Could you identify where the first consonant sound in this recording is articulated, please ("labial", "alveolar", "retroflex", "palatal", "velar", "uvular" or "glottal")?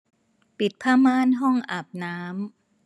labial